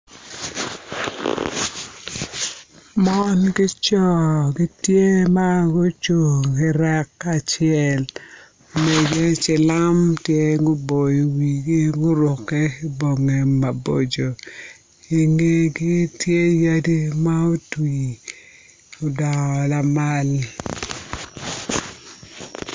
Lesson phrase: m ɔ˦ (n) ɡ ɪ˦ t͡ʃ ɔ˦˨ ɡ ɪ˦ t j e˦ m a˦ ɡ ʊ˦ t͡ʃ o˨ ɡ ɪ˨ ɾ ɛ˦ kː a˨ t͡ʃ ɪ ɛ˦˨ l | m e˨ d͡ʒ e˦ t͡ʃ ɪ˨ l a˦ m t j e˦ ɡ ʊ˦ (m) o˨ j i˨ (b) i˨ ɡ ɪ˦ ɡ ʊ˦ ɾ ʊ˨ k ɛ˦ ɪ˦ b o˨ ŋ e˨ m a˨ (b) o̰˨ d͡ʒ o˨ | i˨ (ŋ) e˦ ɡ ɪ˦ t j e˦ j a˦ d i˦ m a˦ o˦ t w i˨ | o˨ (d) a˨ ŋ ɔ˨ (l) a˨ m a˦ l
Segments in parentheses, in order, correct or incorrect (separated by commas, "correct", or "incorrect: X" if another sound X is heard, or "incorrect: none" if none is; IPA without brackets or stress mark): correct, incorrect: b, incorrect: w, correct, correct, correct, correct